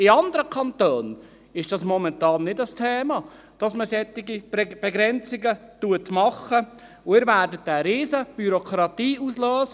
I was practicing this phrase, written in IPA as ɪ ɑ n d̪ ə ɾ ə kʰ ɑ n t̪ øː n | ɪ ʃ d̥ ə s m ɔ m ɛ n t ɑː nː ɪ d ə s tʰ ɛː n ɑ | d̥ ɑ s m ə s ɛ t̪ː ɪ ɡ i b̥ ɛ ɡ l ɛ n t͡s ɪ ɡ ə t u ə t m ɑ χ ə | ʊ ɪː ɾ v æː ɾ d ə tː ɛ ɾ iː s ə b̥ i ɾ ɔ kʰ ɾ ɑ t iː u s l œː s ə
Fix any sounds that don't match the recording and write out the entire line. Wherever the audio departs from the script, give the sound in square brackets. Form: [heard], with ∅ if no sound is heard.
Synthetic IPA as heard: ɪ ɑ n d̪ ə ɾ ə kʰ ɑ n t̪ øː n | ɪ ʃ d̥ [ɑ] s m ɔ m ɛ n t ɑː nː ɪ d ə s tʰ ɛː [m] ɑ | d̥ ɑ s m ə s ɛ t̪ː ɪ ɡ i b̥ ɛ ɡ [ɾ] ɛ n t͡s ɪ ɡ ə t u ə t m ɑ χ ə | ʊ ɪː ɾ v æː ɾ d ə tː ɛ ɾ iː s ə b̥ [y] ɾ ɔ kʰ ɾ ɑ t iː u s l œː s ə